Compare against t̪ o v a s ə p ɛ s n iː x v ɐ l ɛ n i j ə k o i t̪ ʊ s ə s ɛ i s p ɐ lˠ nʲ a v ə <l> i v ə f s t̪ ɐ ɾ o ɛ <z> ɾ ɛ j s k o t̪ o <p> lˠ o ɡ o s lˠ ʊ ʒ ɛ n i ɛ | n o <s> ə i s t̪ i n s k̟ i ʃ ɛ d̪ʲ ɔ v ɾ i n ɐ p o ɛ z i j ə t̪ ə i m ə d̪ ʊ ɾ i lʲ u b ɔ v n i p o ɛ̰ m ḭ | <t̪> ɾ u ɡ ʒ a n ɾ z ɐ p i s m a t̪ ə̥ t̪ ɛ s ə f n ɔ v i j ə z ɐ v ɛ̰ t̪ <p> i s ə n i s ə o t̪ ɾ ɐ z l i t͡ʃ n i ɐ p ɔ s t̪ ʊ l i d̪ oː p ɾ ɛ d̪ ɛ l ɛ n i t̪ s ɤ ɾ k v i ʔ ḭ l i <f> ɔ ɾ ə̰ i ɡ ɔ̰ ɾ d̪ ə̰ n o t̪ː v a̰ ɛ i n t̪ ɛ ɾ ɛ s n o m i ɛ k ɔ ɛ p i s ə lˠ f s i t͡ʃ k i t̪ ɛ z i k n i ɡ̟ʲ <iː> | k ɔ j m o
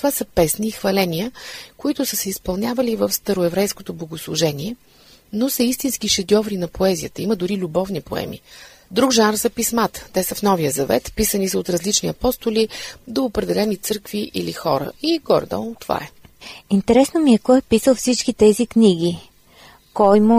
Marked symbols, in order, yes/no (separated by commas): yes, no, no, yes, no, yes, no, no